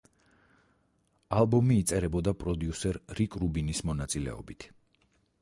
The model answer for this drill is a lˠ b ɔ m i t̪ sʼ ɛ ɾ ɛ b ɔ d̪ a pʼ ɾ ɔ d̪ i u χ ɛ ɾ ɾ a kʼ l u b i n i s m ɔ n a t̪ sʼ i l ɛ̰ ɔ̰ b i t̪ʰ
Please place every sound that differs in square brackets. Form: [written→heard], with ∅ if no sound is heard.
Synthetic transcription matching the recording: a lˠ b ɔ m [i→iː] t̪ sʼ ɛ ɾ ɛ b ɔ d̪ a pʼ ɾ ɔ d̪ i u [χ→s] ɛ ɾ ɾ [a→i] kʼ [l→ɾ] u b i n i s m ɔ n a t̪ sʼ i l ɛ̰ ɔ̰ b i t̪ʰ